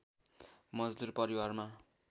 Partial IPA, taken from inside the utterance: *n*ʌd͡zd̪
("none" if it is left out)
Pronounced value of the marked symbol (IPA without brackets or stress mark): m